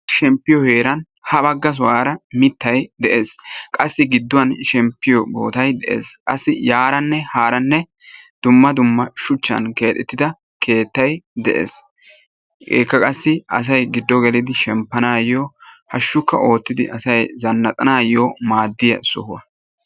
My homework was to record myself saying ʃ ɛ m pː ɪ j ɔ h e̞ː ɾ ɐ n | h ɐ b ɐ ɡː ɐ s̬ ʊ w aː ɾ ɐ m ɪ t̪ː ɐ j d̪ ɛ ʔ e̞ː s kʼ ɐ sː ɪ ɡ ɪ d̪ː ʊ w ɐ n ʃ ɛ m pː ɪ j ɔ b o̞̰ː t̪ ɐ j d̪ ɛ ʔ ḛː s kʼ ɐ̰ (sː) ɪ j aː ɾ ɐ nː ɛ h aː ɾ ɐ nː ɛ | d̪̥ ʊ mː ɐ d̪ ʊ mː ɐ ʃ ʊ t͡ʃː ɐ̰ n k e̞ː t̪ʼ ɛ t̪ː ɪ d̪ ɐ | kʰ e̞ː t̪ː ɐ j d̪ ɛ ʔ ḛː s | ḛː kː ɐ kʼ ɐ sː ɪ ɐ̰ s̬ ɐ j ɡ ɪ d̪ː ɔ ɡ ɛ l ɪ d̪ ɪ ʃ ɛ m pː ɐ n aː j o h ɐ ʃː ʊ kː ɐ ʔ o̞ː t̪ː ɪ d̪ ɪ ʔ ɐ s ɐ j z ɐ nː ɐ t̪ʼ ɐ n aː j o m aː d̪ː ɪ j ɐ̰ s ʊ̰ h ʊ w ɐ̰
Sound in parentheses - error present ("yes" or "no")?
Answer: no